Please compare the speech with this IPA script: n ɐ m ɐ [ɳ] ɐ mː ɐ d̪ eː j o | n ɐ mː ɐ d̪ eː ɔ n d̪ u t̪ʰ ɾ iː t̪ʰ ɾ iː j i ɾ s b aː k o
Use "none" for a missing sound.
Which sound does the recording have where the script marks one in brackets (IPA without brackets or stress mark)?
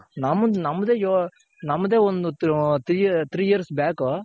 n